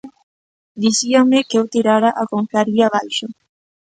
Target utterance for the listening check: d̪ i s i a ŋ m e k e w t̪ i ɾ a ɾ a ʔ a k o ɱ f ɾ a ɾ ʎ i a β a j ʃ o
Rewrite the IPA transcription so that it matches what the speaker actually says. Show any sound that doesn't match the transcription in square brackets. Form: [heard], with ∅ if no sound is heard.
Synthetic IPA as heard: d̪ i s i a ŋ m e k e w t̪ i ɾ a ɾ a ʔ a k o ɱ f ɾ a ɾ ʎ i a β a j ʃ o